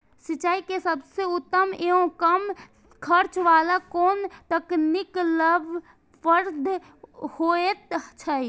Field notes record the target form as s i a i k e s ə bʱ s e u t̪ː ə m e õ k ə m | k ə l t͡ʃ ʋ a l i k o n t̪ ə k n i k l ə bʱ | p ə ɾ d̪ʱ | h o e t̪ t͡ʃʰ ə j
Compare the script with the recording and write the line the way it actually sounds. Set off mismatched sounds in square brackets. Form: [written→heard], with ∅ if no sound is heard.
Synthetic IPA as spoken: s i a i k e s ə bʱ s e u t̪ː ə m e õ k ə m | [k→kʰ] ə [l→ɾ] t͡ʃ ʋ a l [i→a] k o n t̪ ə k n i k l ə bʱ | p ə ɾ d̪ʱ | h o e t̪ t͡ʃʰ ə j